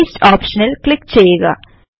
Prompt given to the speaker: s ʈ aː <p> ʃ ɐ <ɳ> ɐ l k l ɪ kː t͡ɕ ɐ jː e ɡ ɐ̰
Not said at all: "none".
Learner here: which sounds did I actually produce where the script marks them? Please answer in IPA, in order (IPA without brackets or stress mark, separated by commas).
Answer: p, n